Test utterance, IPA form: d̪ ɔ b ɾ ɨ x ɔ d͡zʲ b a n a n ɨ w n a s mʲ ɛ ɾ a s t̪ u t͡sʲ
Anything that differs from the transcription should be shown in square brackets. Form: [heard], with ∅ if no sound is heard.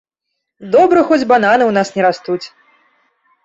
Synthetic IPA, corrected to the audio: d̪ ɔ b ɾ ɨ x ɔ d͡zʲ b a n a n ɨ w n a s [nʲ] ɛ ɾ a s t̪ u t͡sʲ